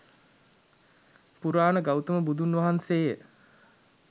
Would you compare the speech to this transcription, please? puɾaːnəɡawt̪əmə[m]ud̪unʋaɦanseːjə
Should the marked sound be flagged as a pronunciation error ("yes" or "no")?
yes